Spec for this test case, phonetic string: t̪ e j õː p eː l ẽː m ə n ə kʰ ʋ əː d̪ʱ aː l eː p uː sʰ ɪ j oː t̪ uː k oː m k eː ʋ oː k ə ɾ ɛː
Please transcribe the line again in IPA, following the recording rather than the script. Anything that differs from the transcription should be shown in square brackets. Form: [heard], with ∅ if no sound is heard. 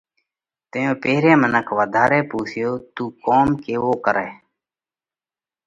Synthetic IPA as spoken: t̪ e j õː p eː [ɾ] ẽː m ə n ə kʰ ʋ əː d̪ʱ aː [ɾ] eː p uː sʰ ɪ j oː t̪ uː k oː m k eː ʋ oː k ə ɾ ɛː